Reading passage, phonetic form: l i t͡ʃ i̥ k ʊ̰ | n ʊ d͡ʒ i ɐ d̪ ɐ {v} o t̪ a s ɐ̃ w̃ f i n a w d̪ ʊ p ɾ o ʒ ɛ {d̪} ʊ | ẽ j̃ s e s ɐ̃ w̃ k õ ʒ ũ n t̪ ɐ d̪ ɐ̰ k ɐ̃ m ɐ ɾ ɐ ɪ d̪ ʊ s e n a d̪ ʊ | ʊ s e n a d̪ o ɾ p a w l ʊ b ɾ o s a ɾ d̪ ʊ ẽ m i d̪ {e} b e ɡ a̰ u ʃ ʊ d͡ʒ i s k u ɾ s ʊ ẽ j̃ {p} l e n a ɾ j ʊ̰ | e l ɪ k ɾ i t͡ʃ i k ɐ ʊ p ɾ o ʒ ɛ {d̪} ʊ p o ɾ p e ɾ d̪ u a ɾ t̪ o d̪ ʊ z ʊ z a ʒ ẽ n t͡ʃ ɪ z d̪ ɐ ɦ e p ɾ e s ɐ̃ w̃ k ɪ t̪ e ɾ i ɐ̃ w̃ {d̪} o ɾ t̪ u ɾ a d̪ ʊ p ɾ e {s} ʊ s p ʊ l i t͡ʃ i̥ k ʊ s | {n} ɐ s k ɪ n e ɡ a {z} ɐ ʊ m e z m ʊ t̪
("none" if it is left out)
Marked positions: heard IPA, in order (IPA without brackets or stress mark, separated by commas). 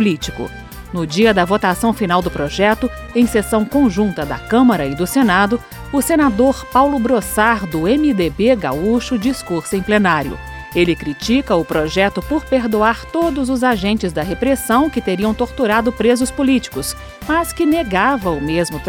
v, t̪, e, p, t̪, t̪, z, m, v